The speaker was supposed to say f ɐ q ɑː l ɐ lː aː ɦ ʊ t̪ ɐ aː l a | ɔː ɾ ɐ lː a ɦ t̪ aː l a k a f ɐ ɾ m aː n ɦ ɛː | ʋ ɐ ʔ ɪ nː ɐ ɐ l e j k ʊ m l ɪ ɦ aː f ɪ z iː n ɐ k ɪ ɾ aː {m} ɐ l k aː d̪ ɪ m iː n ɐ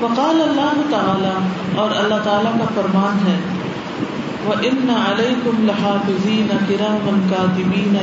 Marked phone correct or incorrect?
correct